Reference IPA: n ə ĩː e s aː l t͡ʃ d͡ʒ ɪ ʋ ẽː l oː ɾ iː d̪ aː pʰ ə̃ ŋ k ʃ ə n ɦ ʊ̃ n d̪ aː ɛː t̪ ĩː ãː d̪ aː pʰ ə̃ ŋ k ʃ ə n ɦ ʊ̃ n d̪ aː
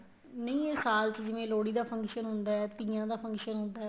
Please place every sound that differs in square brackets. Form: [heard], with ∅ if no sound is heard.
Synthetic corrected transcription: n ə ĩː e s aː l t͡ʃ d͡ʒ ɪ ʋ ẽː l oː [ɽ] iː d̪ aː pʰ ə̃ ŋ k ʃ ə n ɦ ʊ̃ n d̪ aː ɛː t̪ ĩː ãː d̪ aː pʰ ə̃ ŋ k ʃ ə n ɦ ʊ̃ n d̪ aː